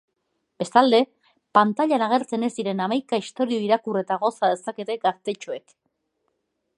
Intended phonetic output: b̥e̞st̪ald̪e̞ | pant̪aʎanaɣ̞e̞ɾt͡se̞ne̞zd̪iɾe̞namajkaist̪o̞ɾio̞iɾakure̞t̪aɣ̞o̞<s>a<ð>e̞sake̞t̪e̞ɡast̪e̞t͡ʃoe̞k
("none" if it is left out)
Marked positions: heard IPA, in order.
s, ð

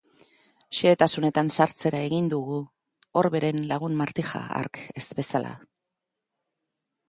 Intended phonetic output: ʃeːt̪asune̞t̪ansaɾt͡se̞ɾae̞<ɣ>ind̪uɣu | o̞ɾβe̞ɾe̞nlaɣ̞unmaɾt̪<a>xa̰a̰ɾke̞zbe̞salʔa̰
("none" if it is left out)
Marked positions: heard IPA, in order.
ɣ, i

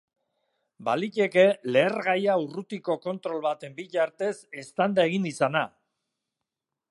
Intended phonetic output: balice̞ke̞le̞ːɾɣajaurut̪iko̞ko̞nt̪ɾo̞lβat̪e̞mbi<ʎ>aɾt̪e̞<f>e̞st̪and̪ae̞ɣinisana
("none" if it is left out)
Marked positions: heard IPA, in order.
ʎ, s

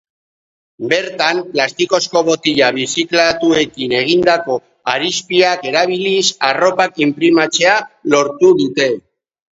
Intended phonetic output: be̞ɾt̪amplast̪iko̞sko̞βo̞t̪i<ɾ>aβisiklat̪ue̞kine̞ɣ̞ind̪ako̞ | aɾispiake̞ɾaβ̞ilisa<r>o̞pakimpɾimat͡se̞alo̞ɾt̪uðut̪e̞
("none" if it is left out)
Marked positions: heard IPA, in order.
ʎ, r

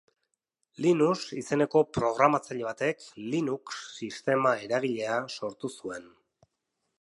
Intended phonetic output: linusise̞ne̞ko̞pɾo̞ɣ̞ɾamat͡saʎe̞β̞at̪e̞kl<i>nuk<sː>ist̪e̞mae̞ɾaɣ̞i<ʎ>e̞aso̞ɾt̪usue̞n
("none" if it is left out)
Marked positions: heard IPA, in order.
i, sː, ʎ

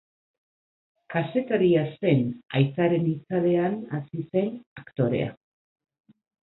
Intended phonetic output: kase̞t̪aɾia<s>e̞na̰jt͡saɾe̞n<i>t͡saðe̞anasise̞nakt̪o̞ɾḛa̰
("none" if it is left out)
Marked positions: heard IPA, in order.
s, i

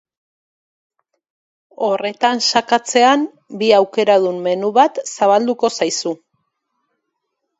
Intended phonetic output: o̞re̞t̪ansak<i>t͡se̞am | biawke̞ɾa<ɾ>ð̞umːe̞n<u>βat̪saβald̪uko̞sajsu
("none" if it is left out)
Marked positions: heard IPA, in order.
a, none, u

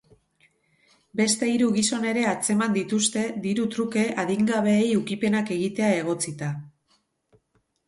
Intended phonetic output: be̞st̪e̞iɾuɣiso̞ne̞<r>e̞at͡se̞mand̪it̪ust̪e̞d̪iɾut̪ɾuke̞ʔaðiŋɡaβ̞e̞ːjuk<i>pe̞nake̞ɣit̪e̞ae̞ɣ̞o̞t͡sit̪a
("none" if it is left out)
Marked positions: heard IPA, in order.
ɾ, i

